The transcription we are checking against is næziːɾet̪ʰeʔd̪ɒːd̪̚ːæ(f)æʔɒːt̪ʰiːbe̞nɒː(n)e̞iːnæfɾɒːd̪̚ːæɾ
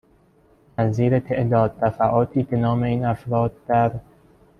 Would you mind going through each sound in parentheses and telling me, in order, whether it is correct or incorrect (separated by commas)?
correct, incorrect